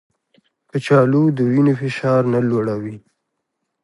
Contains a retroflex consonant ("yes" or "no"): yes